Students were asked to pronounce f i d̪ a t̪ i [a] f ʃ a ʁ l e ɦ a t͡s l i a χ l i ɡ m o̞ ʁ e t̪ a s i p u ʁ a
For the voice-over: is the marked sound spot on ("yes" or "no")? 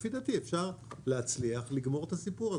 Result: no